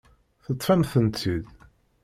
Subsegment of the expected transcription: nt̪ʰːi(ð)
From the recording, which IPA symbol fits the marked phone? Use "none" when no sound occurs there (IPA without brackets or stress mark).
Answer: ð